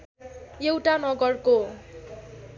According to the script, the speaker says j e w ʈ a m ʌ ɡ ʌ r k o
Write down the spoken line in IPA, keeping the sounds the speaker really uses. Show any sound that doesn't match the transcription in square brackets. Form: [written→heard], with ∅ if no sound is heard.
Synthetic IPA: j e w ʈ a [m→n] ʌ ɡ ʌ r k o